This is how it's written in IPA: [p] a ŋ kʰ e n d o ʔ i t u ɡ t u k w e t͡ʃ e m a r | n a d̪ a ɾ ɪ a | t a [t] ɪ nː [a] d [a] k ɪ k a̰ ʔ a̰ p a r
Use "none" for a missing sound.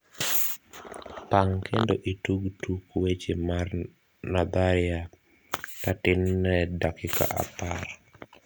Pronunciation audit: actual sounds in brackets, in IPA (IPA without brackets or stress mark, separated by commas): p, t, ɛ, a